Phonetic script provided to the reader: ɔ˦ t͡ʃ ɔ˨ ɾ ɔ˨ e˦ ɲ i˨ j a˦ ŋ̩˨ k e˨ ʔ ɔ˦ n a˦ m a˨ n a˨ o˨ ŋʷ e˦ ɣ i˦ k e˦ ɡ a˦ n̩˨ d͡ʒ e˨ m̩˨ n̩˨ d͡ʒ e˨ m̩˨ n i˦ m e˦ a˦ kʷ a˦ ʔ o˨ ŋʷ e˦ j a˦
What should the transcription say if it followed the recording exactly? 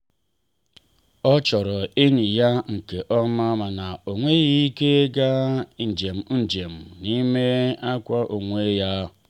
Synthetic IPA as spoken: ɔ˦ t͡ʃ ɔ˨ ɾ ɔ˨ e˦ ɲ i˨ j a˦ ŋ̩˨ k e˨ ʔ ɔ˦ m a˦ m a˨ n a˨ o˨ ŋʷ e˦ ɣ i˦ k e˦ ɡ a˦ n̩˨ d͡ʒ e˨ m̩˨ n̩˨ d͡ʒ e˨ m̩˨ n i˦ m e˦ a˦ kʷ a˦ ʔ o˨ ŋʷ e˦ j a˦

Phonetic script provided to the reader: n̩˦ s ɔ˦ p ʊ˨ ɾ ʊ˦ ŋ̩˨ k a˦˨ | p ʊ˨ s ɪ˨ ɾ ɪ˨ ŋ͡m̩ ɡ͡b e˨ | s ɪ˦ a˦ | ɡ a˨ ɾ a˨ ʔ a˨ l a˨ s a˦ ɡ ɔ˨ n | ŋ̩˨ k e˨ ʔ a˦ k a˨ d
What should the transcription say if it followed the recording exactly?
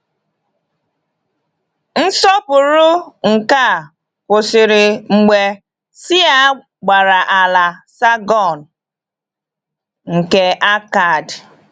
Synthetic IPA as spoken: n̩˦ s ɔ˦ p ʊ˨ ɾ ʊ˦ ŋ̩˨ k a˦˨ | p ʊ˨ s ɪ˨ ɾ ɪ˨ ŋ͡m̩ ɡ͡b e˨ | s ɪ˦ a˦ | ɡ͡b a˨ ɾ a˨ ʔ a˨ l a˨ s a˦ ɡ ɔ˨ n | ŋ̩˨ k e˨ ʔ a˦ k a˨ d

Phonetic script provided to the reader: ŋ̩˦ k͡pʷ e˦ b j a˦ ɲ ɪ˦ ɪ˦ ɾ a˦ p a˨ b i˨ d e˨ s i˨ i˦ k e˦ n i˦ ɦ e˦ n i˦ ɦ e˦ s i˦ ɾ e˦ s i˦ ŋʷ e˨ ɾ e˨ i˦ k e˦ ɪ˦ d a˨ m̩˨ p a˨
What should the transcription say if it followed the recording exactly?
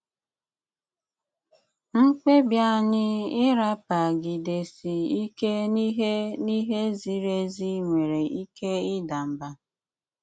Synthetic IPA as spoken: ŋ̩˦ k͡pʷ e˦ b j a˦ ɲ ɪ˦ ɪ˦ ɾ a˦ p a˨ ɡ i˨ d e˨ s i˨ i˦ k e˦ n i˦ ɦ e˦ n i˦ ɦ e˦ z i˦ ɾ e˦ z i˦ ŋʷ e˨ ɾ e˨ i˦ k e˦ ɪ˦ d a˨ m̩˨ b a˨

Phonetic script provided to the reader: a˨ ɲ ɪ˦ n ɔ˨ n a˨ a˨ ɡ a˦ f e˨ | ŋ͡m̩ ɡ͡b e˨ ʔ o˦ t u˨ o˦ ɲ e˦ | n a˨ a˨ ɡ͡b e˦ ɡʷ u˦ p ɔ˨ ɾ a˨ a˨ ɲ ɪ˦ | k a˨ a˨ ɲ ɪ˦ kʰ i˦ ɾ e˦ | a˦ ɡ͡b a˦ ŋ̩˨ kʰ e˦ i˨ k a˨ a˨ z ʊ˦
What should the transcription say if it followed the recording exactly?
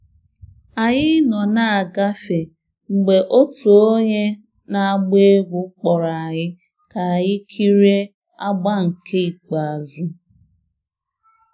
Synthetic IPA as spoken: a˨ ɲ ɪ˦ n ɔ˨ n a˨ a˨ ɡ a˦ f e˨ | ŋ͡m̩ ɡ͡b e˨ ʔ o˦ t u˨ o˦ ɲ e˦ | n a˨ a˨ ɡ͡b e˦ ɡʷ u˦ k͡p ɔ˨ ɾ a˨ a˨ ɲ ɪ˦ | k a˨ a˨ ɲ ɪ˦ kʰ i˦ ɾ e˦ | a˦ ɡ͡b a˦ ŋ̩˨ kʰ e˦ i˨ k͡p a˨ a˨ z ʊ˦

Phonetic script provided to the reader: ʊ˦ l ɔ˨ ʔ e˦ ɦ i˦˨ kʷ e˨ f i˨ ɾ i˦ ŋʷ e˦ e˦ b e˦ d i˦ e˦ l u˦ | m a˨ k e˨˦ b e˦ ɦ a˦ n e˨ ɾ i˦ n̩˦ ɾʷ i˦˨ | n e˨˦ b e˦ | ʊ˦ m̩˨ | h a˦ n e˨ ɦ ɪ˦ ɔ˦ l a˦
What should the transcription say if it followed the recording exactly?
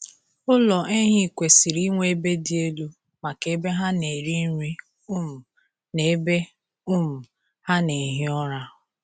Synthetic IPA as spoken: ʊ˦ l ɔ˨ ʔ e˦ ɦ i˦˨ kʷ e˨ s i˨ ɾ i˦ ŋʷ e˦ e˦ b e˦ d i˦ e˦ l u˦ | m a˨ k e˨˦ b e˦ ɦ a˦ n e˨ ɾ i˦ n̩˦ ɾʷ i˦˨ | n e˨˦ b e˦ | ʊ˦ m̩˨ | h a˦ n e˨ ɦ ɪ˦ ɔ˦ ɾ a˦

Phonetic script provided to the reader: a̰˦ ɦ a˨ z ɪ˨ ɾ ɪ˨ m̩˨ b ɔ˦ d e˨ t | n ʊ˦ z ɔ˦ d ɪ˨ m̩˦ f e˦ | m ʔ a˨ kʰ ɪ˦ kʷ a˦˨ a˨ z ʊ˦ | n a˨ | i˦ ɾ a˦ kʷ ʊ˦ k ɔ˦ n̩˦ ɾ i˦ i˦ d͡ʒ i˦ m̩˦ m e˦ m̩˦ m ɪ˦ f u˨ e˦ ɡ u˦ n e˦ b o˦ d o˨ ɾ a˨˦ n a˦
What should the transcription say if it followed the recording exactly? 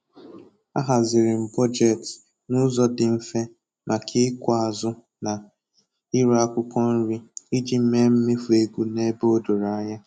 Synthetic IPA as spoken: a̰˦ ɦ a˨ z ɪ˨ ɾ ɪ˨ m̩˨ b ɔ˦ d͡ʒ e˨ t | n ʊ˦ z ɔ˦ d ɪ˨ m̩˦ f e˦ | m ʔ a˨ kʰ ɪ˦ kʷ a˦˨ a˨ z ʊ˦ | n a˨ | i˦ ɾ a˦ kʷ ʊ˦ k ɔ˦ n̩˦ ɾ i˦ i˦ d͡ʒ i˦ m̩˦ m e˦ m̩˦ m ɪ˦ f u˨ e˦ ɡ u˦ n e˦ b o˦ d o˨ ɾ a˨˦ ɲ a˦

